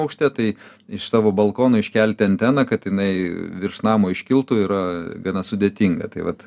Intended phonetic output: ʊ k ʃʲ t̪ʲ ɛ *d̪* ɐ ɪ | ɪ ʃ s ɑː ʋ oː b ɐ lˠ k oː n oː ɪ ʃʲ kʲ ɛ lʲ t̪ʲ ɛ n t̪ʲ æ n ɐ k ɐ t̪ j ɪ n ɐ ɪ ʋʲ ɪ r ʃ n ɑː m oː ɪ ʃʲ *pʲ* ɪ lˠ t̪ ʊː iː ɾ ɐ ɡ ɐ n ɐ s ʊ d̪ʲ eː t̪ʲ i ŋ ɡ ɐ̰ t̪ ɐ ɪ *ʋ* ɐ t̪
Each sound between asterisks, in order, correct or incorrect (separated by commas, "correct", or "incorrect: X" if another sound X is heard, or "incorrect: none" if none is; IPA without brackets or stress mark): incorrect: t̪, incorrect: kʲ, correct